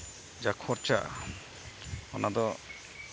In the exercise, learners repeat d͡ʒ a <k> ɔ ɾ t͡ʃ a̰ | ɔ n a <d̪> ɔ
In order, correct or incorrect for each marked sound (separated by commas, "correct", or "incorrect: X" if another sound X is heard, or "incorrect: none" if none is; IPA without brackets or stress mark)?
incorrect: kʰ, correct